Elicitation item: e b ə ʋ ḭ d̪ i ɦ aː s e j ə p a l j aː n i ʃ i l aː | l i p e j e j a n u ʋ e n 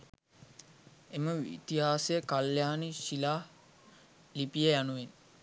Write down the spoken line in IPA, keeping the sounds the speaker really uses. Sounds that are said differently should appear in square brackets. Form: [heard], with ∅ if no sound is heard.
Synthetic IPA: e [m] ə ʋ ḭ [t̪] i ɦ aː s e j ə [k] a l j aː n i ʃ i l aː | l i p [i] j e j a n u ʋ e n